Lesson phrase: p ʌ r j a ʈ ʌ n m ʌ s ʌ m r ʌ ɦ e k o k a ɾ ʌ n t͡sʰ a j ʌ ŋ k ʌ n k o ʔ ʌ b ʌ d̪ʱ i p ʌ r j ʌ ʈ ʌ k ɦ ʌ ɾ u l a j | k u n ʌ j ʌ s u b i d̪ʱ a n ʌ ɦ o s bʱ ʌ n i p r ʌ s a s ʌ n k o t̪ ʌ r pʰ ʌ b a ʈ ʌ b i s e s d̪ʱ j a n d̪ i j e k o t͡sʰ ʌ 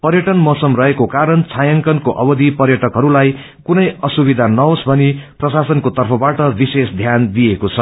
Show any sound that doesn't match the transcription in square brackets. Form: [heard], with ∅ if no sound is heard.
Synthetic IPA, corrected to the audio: p ʌ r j [ʌ] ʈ ʌ n m ʌ s ʌ m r ʌ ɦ e k o k a ɾ ʌ n t͡sʰ a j ʌ ŋ k ʌ n k o ʔ ʌ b ʌ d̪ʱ i p ʌ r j ʌ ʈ ʌ k ɦ ʌ ɾ u l a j | k u n ʌ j ʌ s u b i d̪ʱ a n ʌ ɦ o s bʱ ʌ n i p r ʌ s a s ʌ n k o t̪ ʌ r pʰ ʌ b a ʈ ʌ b i s e s d̪ʱ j a n d̪ i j e k o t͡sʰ ʌ